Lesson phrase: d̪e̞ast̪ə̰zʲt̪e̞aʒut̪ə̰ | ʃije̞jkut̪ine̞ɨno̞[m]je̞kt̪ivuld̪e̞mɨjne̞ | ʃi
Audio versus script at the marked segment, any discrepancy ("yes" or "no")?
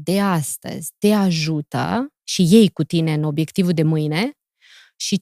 yes